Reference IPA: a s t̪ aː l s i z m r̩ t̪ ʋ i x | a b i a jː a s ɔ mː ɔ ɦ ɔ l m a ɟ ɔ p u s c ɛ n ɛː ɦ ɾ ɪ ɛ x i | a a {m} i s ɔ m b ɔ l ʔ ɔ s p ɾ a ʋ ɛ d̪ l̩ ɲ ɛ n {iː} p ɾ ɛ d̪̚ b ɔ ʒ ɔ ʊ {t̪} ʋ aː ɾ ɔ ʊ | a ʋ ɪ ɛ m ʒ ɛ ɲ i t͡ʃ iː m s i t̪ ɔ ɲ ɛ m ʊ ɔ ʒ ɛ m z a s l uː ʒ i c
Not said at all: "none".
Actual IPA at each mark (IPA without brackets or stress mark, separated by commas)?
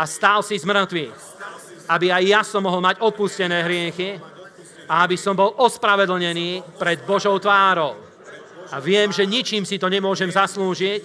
b, iː, t̪